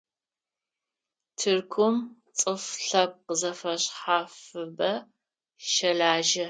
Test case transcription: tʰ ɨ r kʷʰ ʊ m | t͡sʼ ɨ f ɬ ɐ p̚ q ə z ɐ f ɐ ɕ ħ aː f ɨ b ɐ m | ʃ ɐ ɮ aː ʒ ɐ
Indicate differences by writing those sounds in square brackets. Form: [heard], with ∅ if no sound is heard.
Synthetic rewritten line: tʰ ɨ r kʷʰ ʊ m | t͡sʼ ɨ f ɬ ɐ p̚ q ə z ɐ f ɐ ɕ ħ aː f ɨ b ɐ [∅] | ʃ ɐ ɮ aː ʒ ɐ